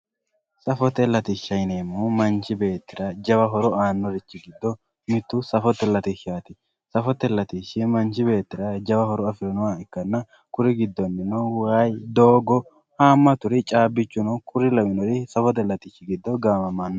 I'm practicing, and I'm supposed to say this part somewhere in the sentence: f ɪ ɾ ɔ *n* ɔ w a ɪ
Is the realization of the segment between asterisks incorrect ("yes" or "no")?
no